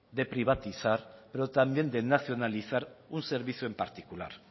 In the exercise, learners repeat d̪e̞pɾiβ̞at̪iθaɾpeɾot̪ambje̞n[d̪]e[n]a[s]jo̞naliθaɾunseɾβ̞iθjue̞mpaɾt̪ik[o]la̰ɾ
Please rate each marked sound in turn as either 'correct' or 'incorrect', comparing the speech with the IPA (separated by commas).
correct, correct, incorrect, incorrect